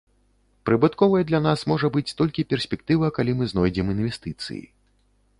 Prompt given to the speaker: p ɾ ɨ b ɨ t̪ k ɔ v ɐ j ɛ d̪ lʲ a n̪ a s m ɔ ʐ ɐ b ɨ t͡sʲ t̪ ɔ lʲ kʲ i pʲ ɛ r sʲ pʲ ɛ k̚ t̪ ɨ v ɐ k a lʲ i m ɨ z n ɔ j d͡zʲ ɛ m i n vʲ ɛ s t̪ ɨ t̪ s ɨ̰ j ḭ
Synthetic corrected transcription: p ɾ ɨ b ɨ t̪ k ɔ v ɐ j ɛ d̪ lʲ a n̪ a s m ɔ ʐ ɐ b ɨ t͡sʲ t̪ ɔ lʲ kʲ i pʲ ɛ r sʲ pʲ ɛ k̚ t̪ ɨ v ɐ k a lʲ i m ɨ z n ɔ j d͡zʲ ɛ m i n vʲ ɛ s t̪ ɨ t̪ s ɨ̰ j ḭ